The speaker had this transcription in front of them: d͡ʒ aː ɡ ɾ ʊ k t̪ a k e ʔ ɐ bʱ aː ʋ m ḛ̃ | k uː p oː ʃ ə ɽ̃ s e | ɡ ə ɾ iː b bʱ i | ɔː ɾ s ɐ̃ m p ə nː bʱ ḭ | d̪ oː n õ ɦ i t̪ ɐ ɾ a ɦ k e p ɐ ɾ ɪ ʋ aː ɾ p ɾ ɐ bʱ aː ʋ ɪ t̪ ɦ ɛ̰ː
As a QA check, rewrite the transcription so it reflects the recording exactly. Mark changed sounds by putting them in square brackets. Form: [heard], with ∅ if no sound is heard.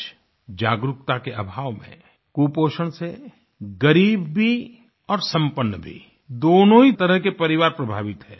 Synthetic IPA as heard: d͡ʒ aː ɡ ɾ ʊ k t̪ a k e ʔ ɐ bʱ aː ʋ m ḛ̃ | k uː p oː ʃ ə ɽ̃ s e | ɡ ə ɾ iː b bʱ i | ɔː ɾ s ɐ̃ m p ə nː bʱ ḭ | d̪ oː n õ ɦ i t̪ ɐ ɾ [ə] ɦ k e p ɐ ɾ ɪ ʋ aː ɾ p ɾ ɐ bʱ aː ʋ ɪ t̪ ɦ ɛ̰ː